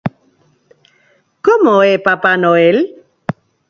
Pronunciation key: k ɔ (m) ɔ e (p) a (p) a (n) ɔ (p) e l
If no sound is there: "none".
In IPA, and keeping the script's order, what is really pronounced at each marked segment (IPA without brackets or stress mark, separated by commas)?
m, p, p, n, none